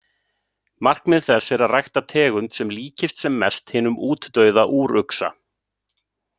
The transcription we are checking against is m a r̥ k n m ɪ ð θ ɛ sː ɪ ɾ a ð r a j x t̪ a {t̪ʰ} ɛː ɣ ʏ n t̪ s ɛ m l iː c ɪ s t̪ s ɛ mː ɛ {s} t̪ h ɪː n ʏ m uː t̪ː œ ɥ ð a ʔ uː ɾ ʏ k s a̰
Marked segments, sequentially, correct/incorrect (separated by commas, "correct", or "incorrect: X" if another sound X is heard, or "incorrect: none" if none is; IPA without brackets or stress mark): correct, correct